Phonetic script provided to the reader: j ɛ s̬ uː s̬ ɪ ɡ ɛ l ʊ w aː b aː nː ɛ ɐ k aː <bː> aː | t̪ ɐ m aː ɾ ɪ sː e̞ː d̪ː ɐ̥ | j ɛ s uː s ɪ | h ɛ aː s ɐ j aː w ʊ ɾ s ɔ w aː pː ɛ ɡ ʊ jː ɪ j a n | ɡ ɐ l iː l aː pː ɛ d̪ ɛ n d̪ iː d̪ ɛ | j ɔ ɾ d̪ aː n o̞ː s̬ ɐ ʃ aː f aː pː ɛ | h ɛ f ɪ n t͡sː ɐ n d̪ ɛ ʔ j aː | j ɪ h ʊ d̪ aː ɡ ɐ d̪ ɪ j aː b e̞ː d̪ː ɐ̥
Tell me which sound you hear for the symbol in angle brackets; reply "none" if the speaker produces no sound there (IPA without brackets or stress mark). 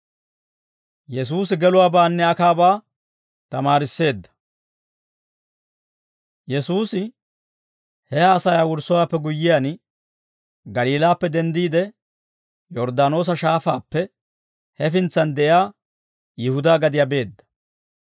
b